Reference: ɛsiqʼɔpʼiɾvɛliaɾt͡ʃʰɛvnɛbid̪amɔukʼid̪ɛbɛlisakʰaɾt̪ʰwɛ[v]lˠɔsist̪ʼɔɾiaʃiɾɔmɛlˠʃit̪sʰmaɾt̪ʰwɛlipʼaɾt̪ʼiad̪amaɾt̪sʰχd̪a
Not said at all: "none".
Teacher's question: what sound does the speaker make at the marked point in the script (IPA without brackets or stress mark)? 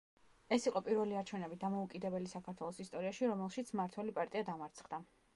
none